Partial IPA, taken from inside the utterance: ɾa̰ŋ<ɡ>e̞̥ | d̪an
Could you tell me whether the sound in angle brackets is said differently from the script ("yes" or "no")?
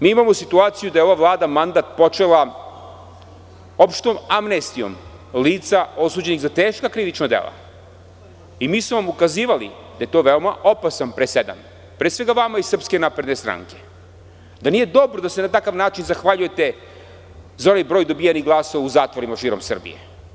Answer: yes